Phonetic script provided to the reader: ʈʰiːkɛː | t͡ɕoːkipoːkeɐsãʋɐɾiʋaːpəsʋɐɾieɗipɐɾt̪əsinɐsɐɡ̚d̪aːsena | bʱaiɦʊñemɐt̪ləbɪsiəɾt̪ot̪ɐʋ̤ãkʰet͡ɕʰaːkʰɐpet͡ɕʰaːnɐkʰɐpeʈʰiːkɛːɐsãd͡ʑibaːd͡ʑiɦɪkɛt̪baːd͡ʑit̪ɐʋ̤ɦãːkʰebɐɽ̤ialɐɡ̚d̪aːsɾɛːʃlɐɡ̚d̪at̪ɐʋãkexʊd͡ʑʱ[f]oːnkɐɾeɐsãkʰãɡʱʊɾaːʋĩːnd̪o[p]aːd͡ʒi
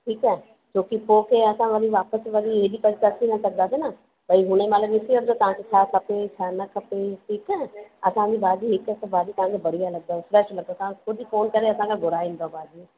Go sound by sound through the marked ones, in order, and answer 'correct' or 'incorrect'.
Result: correct, incorrect: b

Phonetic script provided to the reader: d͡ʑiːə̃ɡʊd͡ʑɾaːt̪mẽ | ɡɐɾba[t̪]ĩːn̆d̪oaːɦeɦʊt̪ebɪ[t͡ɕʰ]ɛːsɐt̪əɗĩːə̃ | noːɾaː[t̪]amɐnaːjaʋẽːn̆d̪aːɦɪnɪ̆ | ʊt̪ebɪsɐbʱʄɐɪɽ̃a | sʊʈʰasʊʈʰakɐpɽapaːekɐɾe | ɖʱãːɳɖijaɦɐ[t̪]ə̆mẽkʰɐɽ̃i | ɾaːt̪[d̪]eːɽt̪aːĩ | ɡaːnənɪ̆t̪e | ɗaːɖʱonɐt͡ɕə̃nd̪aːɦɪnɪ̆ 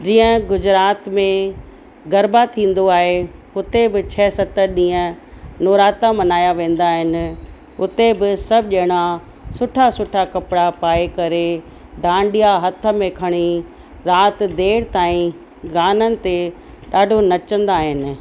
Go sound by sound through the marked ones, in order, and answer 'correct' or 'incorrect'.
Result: incorrect: t̪ʰ, correct, correct, incorrect: t̪ʰ, correct

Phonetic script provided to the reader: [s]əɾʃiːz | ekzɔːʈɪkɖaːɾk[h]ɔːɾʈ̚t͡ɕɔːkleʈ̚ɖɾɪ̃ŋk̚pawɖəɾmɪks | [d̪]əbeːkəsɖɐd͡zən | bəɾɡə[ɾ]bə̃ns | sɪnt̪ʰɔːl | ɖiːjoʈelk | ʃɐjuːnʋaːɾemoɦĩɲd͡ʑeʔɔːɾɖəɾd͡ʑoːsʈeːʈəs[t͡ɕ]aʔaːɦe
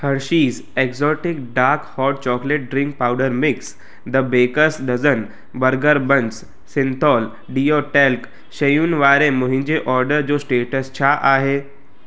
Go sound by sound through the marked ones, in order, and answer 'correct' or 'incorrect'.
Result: incorrect: h, correct, correct, correct, incorrect: t͡ɕʰ

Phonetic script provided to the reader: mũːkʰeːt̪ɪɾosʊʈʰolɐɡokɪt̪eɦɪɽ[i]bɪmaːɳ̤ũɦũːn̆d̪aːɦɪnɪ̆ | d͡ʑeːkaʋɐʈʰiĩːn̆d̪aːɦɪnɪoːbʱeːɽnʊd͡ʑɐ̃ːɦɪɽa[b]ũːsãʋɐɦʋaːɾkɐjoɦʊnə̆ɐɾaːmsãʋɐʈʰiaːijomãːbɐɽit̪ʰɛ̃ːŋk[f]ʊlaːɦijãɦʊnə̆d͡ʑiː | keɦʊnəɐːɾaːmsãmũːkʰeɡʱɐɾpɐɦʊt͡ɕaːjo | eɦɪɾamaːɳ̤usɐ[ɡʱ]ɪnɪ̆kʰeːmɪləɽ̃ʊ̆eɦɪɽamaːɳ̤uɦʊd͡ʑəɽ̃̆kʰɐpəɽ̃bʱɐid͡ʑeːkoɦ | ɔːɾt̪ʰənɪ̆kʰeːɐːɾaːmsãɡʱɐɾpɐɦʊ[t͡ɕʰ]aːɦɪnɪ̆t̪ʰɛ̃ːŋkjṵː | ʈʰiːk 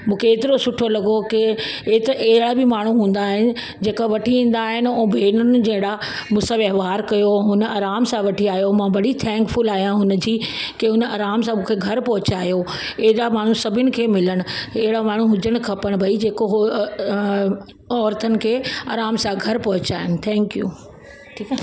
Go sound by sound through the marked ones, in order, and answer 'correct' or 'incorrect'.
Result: incorrect: a, incorrect: m, correct, incorrect: bʱ, incorrect: t͡ɕ

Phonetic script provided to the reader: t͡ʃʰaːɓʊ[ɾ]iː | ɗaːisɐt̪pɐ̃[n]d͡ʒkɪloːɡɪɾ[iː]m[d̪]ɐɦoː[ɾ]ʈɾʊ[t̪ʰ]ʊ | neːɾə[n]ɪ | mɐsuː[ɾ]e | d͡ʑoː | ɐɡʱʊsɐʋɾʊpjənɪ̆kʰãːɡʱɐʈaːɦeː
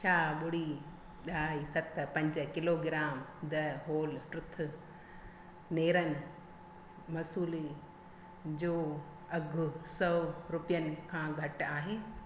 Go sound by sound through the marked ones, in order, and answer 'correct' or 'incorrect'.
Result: incorrect: ɽ, incorrect: ɲ, incorrect: aː, correct, incorrect: l, correct, correct, incorrect: l

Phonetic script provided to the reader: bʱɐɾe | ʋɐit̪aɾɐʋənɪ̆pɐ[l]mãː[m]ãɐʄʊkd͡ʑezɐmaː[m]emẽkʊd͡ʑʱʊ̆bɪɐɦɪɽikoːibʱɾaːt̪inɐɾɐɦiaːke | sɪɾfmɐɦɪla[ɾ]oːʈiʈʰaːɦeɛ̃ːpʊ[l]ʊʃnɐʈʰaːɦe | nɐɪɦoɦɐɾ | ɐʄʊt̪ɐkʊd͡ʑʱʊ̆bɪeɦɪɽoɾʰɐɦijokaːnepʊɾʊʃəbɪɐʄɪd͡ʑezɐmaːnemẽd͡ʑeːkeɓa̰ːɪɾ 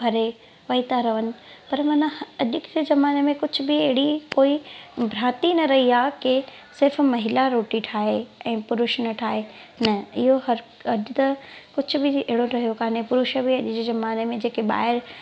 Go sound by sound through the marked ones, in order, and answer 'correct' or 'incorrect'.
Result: incorrect: ɾ, incorrect: n, incorrect: n, correct, incorrect: ɾ

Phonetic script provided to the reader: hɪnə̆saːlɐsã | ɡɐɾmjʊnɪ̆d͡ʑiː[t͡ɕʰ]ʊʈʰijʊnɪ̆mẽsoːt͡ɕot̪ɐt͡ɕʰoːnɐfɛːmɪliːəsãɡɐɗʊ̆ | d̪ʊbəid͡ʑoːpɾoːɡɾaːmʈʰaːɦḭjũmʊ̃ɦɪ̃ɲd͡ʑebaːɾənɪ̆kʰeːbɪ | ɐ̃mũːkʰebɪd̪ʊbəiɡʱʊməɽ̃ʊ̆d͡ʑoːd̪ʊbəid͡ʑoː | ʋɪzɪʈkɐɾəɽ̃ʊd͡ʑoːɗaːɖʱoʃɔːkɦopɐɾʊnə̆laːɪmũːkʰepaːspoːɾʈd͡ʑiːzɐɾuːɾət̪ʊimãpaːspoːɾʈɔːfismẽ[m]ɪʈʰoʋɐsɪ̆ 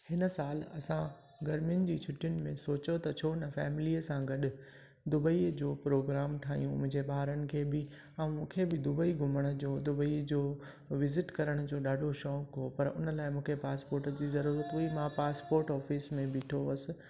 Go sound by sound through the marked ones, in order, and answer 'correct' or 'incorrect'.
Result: correct, incorrect: b

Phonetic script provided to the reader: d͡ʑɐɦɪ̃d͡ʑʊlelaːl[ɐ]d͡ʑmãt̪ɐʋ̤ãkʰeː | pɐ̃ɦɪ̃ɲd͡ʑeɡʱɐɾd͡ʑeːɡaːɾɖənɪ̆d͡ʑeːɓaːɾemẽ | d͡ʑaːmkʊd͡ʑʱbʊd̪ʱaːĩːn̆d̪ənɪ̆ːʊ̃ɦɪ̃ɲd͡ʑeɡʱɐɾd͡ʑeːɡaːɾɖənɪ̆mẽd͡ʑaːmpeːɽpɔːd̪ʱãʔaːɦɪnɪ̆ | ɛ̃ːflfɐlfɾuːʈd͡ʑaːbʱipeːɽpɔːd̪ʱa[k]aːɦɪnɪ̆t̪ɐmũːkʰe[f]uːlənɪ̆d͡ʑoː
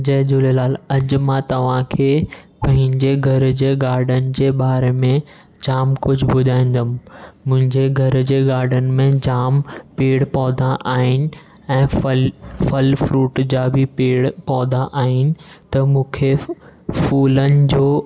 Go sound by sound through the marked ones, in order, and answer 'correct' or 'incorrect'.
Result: correct, incorrect: ʔ, correct

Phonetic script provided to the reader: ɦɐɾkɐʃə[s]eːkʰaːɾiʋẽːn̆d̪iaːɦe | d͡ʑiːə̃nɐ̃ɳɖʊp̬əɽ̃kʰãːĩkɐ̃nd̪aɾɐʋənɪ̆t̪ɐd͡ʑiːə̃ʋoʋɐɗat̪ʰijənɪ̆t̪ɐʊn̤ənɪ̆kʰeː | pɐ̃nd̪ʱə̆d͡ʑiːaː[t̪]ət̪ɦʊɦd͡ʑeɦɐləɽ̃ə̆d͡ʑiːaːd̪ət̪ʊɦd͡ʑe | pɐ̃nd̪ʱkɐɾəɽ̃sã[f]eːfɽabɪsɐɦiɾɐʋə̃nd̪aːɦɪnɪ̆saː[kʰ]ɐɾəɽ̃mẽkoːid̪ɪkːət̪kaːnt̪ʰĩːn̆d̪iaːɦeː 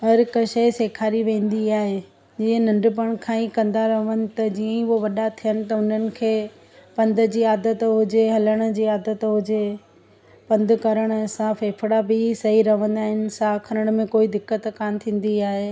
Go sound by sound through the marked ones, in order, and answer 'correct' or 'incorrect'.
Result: correct, incorrect: d̪, correct, correct

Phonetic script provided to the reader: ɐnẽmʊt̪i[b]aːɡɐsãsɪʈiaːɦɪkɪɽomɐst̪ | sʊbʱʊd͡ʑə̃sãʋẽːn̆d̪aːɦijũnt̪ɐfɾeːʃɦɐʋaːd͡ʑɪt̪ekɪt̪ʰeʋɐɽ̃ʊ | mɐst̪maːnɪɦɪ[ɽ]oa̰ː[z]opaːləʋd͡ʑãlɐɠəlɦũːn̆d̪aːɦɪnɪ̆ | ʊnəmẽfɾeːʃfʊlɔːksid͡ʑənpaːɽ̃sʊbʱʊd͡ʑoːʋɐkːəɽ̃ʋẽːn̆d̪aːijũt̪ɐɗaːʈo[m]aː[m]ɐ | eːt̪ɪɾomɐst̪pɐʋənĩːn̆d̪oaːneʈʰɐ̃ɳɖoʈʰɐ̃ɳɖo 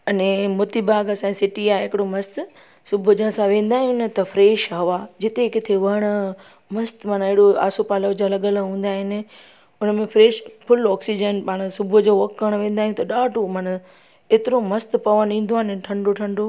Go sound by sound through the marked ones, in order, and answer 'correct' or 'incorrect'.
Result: correct, correct, incorrect: s, correct, incorrect: n

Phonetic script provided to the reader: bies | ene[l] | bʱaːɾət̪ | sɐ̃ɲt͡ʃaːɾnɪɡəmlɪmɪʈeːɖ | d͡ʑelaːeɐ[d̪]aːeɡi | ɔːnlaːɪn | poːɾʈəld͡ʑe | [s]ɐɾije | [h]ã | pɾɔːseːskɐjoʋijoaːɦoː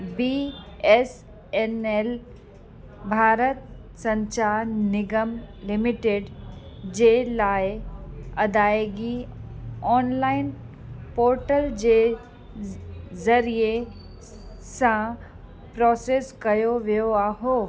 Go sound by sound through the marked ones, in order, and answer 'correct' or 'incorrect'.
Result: correct, correct, incorrect: z, incorrect: s

